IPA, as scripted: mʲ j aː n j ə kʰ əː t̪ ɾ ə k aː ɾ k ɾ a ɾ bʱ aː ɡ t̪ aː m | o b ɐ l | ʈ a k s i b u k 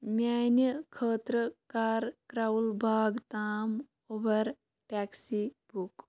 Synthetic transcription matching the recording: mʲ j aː n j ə kʰ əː t̪ ɾ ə k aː ɾ k ɾ a l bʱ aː ɡ t̪ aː m | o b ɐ ɾ | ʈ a k s i b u k